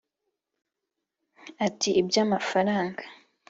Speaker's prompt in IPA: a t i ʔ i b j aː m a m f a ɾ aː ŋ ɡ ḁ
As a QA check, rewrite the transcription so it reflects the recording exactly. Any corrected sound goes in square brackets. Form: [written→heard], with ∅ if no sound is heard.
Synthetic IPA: a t i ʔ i b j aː m a [m→∅] f a ɾ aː ŋ ɡ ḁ